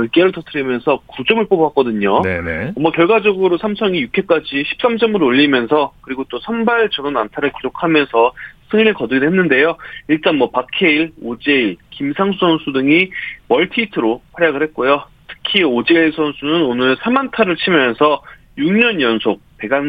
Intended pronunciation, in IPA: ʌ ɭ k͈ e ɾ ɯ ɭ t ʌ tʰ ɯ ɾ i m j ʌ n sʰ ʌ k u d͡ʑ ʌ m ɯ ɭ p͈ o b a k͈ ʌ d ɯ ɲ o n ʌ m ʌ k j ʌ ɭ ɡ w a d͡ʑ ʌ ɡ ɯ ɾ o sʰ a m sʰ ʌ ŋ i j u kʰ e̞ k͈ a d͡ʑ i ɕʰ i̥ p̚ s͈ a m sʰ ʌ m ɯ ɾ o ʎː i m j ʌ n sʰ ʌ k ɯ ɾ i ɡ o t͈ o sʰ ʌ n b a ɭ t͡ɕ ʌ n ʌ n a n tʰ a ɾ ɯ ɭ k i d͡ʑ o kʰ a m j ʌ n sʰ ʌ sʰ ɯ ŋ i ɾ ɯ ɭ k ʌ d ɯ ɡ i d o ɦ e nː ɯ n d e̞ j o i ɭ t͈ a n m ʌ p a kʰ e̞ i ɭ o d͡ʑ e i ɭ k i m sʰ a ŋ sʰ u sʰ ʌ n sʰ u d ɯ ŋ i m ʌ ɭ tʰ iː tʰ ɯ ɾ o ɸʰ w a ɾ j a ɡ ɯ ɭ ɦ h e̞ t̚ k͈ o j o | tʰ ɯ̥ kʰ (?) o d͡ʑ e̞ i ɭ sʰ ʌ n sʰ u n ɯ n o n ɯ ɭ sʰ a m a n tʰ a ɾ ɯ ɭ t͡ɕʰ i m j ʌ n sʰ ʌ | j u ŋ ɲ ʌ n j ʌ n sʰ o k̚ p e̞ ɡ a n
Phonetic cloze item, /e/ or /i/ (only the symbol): i